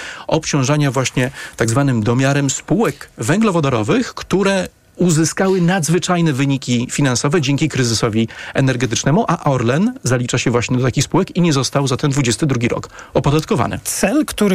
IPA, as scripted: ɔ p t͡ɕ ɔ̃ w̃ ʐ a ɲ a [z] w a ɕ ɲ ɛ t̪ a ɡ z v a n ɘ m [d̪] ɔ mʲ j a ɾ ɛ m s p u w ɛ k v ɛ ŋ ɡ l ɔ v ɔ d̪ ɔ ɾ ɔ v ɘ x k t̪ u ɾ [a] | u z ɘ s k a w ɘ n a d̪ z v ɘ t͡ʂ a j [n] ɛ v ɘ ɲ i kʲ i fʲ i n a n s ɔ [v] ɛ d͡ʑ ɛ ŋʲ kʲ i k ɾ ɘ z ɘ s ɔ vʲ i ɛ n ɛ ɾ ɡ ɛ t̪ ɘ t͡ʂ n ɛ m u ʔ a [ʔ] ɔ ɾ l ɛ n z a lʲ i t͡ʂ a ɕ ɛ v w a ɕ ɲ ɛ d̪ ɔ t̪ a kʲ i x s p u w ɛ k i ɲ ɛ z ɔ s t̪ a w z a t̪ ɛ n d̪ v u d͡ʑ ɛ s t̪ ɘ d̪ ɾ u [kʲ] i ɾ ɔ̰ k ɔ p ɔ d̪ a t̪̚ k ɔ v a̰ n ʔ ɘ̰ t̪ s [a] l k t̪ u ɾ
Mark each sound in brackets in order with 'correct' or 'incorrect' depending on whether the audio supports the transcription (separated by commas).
incorrect, correct, incorrect, correct, correct, correct, incorrect, incorrect